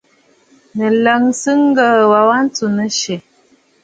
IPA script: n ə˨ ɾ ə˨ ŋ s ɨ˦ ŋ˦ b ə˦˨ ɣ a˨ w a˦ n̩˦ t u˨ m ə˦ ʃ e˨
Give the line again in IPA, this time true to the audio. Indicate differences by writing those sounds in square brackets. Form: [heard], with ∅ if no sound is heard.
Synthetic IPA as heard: n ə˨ [l] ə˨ ŋ s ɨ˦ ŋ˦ [ɡ] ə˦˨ [w] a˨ w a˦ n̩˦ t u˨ [n] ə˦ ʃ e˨